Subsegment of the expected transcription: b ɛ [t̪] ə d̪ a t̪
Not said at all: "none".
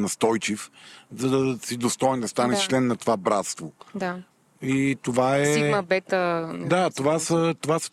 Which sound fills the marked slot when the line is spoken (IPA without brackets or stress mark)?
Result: t̪